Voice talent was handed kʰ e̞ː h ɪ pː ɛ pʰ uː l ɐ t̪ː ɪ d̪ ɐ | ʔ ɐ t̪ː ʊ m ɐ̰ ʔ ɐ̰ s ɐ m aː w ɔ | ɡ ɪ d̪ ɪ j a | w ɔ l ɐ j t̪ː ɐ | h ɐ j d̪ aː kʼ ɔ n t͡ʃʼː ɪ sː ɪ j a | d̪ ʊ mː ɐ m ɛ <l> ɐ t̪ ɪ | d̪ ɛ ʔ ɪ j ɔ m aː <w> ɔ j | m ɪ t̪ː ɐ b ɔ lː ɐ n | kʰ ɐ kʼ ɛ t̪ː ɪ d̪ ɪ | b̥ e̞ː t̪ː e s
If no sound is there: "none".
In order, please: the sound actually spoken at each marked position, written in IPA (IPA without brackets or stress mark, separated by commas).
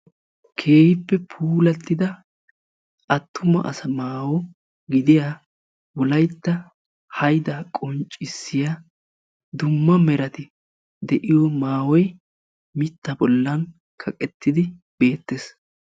ɾ, w